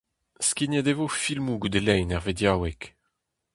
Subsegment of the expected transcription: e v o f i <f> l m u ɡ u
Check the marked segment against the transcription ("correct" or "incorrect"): incorrect